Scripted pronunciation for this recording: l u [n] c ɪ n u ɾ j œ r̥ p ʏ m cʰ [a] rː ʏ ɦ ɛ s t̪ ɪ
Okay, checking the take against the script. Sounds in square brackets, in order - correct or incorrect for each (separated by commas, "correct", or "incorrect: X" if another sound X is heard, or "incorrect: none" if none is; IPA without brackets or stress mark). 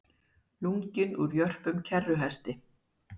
incorrect: ŋ, incorrect: ɛ